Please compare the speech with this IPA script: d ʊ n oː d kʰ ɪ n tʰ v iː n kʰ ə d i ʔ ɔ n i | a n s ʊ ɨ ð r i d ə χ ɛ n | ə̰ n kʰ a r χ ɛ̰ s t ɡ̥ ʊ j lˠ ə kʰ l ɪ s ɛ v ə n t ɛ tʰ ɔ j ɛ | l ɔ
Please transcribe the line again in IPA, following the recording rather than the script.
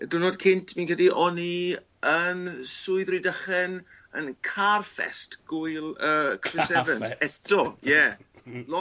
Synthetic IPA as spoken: d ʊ n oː d kʰ ɪ n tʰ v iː n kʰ ə d i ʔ ɔ n i | ə n s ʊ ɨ ð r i d ə χ ɛ n | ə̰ n kʰ a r f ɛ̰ s t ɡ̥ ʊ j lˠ ə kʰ r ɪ s ɛ v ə n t ɛ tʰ ɔ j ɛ | l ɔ

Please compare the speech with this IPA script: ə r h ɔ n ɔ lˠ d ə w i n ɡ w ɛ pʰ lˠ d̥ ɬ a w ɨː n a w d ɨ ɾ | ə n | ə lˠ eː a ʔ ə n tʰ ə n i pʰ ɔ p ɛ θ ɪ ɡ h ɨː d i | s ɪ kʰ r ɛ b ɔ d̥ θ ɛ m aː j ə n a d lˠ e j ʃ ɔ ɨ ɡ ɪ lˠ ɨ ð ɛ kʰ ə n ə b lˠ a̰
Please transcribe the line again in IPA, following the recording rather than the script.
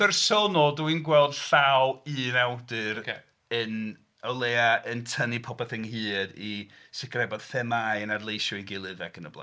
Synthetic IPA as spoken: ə r s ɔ n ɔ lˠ d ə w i n ɡ w ɛ lˠ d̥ ɬ a w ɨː n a w d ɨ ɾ | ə n | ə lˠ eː a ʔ ə n tʰ ə n i pʰ ɔ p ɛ θ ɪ ŋ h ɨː d i | s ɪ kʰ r ɛ b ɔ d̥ θ ɛ m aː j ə n a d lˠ e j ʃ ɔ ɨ ɡ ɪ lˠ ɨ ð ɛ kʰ ə n ə b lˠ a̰

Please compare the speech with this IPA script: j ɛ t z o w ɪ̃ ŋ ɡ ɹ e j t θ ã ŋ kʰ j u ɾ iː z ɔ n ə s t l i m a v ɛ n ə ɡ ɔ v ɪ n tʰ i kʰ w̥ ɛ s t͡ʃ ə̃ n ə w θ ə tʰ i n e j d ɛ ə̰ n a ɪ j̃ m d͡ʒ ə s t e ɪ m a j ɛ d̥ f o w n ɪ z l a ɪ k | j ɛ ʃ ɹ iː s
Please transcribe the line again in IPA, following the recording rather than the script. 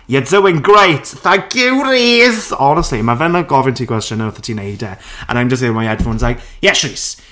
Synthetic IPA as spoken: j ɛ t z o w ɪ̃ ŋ ɡ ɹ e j t θ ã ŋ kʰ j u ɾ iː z ɔ n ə s t l i m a v ɛ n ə ɡ ɔ v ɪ n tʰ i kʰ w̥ ɛ s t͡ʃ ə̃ n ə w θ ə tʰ i n e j d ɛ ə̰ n a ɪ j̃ m d͡ʒ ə s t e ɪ m a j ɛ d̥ f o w n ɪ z l a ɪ k | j ɛ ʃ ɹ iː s

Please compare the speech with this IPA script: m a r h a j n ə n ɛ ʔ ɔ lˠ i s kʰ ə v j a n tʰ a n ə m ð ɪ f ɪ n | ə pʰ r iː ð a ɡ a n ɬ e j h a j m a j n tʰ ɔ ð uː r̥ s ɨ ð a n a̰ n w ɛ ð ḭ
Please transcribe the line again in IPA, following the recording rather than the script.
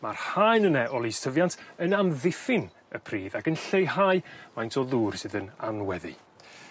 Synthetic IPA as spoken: m a r h a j n ə n ɛ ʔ ɔ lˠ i s tʰ ə v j a n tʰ ə n a m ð ɪ f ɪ n | ə pʰ r iː ð a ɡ ə n ɬ e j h a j m a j n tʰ ɔ ð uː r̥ s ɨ ð ə n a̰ n w ɛ ð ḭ

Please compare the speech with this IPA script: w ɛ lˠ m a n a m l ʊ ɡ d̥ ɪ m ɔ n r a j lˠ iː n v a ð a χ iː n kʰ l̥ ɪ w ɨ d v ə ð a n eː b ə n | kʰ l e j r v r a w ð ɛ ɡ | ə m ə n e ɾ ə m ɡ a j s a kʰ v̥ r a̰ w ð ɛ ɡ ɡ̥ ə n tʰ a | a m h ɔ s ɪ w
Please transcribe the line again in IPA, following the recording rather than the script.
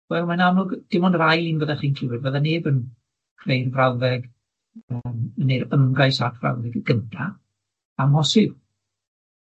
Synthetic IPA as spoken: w ɛ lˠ m a n a m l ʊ ɡ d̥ ɪ m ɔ n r a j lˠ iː n v ə ð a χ iː n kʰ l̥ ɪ w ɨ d v ə ð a n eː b ə n | kʰ r e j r v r a w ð ɛ ɡ | ə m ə n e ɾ ə m ɡ a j s a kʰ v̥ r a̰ w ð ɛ ɡ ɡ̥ ə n tʰ a | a m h ɔ s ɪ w

